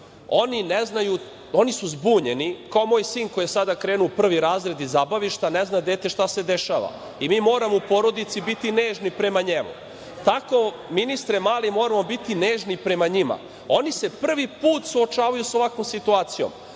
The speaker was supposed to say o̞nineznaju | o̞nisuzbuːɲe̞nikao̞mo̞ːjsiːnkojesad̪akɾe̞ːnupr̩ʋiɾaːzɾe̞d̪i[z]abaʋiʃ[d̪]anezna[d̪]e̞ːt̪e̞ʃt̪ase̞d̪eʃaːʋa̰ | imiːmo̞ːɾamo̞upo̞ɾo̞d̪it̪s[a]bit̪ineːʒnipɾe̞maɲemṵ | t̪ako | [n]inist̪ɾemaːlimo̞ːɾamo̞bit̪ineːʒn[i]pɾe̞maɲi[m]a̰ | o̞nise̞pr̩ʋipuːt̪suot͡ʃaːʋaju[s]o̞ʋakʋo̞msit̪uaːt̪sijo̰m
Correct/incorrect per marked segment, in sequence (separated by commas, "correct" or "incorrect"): correct, incorrect, correct, incorrect, incorrect, correct, correct, correct